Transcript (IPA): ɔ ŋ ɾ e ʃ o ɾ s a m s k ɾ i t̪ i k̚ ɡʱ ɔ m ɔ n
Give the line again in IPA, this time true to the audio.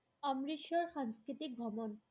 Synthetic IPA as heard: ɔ m ɾ i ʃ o ɾ ʃ a ŋ s k ɾ i t̪ i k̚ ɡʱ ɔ m o n